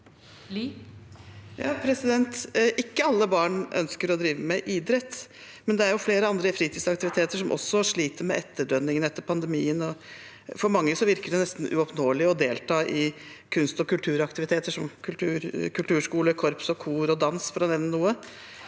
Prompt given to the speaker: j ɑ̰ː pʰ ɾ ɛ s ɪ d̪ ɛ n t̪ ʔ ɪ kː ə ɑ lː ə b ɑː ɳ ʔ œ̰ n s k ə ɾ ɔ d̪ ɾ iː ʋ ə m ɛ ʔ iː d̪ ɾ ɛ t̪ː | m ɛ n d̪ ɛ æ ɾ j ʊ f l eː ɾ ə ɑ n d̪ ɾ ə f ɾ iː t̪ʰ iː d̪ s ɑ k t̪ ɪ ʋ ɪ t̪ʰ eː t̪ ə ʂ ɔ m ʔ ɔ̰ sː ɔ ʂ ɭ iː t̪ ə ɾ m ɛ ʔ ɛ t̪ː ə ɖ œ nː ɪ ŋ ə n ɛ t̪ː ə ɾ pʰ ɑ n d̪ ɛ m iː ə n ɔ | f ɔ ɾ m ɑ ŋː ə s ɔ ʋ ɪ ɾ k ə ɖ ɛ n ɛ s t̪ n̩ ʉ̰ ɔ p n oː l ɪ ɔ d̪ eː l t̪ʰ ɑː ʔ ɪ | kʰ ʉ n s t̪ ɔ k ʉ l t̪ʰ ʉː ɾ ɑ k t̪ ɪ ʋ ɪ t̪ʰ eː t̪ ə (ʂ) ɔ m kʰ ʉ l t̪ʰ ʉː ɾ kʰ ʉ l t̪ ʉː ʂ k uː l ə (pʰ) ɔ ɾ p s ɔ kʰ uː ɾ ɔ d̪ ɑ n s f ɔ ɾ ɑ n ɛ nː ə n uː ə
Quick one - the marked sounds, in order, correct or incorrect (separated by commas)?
correct, incorrect